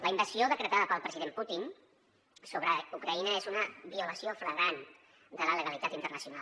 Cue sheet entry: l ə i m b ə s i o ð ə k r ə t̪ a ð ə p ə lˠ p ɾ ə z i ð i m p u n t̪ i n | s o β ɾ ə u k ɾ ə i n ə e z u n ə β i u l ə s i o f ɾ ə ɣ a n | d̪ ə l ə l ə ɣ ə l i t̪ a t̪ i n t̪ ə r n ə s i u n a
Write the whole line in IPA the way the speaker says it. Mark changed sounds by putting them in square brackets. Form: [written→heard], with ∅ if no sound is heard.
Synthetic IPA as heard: l ə i m b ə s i o ð ə k [r→ɾ] ə t̪ a ð ə p ə lˠ p ɾ ə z i ð [i→e] m p u [n→∅] t̪ i n | s o β ɾ ə u k ɾ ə i n ə e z u n ə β i u l ə s i o f ɾ ə ɣ a n | d̪ ə l ə l ə ɣ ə l i t̪ a t̪ i n t̪ ə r n ə s i u n a